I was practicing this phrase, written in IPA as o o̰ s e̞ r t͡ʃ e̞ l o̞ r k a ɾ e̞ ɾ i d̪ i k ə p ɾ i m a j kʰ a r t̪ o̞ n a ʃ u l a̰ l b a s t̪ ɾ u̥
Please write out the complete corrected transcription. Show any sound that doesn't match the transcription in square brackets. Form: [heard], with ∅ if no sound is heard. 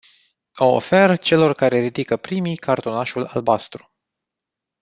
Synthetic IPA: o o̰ [f] e̞ r t͡ʃ e̞ l o̞ r k a ɾ e̞ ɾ i d̪ i k ə p ɾ i m [i] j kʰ a r t̪ o̞ n a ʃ u l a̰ l b a s t̪ ɾ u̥